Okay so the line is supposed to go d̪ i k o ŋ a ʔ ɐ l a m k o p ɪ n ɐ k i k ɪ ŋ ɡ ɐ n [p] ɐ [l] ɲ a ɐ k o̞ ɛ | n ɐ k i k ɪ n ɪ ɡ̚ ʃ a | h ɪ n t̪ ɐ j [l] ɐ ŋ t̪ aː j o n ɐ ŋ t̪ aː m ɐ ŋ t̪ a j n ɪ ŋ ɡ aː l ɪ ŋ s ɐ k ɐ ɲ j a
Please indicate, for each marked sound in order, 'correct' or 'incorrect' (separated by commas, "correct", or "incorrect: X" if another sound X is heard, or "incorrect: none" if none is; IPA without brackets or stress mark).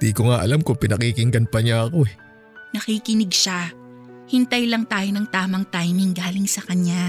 correct, incorrect: none, correct